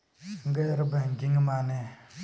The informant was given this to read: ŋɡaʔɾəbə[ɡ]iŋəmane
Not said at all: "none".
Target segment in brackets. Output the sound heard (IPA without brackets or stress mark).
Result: ɡ